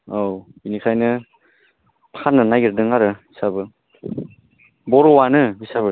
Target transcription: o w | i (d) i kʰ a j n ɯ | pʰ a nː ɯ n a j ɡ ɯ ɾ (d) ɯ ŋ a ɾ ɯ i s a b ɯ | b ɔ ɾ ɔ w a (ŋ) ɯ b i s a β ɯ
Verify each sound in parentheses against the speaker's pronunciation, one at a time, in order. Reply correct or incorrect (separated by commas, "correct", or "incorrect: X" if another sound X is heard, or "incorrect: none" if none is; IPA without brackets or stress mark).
incorrect: n, correct, incorrect: n